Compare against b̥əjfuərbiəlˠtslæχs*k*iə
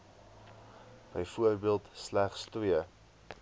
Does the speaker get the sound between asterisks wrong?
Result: yes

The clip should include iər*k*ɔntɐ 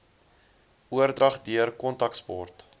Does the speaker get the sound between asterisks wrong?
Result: no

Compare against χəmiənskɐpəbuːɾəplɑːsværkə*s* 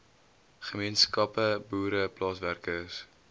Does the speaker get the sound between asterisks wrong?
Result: no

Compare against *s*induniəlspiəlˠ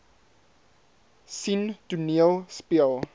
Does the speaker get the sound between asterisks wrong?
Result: no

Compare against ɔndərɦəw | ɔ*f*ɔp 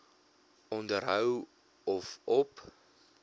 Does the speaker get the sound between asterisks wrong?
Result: no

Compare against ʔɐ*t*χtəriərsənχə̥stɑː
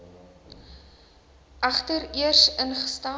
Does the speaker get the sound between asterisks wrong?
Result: yes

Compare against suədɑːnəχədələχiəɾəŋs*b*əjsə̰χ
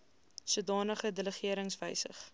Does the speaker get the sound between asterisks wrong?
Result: yes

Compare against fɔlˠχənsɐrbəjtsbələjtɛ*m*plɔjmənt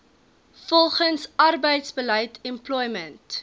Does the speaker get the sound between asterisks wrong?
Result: no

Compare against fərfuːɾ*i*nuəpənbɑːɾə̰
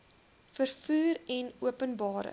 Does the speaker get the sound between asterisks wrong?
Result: yes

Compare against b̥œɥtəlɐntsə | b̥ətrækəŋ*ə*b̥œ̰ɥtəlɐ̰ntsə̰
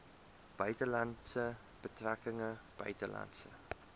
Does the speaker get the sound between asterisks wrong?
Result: no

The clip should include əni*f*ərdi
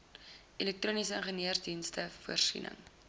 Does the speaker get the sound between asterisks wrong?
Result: yes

